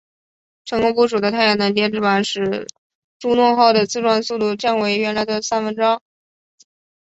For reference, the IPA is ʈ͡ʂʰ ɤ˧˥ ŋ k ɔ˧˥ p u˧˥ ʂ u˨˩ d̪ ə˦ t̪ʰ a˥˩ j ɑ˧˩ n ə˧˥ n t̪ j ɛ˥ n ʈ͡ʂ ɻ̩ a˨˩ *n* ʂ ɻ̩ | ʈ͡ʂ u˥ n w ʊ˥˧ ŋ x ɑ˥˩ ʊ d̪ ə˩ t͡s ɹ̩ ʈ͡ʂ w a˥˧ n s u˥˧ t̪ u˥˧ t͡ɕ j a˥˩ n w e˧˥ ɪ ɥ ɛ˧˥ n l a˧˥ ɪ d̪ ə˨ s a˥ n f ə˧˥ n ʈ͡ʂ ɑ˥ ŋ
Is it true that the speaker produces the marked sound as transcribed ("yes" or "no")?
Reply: yes